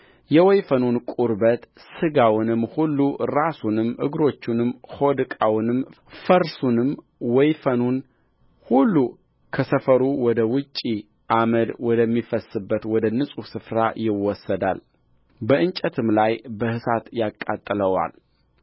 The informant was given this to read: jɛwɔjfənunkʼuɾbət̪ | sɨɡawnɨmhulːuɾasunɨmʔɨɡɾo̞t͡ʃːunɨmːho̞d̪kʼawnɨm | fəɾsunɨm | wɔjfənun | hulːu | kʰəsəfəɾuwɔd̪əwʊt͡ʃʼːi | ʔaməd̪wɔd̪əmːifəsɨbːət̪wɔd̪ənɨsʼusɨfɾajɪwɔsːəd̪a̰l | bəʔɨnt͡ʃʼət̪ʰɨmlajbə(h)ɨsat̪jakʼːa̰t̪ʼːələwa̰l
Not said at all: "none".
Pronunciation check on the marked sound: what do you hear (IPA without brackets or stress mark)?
h